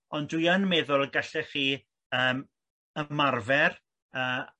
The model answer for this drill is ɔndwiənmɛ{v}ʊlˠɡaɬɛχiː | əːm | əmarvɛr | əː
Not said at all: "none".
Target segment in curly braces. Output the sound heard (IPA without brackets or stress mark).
ð